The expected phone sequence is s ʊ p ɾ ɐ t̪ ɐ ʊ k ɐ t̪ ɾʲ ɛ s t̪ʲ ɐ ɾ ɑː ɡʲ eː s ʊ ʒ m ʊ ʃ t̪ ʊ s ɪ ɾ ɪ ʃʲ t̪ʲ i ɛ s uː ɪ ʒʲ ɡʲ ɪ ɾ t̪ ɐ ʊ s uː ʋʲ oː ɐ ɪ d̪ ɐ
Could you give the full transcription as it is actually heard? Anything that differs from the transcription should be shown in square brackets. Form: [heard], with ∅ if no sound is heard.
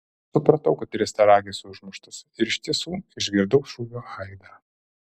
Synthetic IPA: s ʊ p ɾ ɐ t̪ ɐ ʊ k ɐ t̪ ɾʲ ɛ s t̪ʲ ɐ ɾ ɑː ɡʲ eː s ʊ ʒ m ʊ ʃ t̪ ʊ s ɪ ɾ ɪ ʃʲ t̪ʲ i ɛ s uː ɪ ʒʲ ɡʲ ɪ ɾ [d̪] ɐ ʊ [ʃ] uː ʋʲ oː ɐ ɪ d̪ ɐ